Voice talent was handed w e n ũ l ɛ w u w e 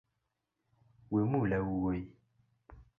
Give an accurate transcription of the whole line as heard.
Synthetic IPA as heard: w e m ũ l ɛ w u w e